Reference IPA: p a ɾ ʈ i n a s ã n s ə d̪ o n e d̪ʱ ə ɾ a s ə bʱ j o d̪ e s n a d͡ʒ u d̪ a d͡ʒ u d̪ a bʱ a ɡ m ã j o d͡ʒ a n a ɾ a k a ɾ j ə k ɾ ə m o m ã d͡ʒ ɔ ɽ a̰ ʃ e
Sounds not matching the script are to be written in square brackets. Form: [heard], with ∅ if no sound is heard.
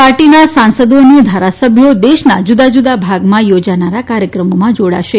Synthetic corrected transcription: p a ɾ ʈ i n a s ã n s ə d̪ o n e d̪ʱ [a] ɾ a s ə bʱ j o d̪ e [ʃ] n a d͡ʒ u d̪ a d͡ʒ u d̪ a bʱ a ɡ m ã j o d͡ʒ a n a ɾ a k a ɾ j ə k ɾ ə m o m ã d͡ʒ [o] ɽ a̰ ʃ e